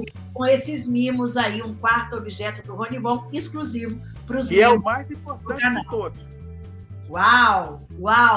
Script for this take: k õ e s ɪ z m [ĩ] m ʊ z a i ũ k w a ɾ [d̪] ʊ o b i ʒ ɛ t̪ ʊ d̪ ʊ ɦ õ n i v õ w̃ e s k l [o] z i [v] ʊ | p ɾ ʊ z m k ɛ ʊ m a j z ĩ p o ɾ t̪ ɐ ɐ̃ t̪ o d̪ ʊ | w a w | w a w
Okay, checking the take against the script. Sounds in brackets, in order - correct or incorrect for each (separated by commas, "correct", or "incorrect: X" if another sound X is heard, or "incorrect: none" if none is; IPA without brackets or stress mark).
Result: correct, incorrect: t̪, incorrect: u, correct